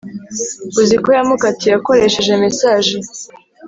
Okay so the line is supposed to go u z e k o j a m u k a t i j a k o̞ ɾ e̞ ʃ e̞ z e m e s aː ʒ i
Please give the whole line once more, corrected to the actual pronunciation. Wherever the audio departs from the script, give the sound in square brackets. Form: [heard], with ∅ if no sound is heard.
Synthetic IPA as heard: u z [i] k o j a m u k a t i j a k o̞ ɾ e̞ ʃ e̞ [ʒ] e m e s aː ʒ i